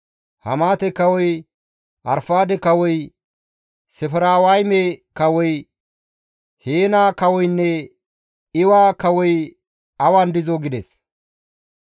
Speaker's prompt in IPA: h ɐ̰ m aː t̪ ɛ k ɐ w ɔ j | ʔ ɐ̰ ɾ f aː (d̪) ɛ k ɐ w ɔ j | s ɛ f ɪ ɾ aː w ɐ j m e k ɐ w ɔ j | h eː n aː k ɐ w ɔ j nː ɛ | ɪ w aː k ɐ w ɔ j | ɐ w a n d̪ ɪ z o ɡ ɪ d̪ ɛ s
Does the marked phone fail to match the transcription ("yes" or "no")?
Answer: no